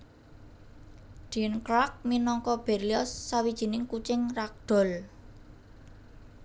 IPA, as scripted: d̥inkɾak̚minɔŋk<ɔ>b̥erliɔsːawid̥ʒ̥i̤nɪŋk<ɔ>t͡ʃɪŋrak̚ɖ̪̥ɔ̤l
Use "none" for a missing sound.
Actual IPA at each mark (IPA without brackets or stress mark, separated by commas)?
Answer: ɔ, u